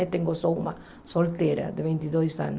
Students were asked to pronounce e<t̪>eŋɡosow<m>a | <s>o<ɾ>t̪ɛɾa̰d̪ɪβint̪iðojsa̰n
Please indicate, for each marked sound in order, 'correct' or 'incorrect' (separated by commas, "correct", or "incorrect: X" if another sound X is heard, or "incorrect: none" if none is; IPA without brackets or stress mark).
correct, correct, correct, incorrect: l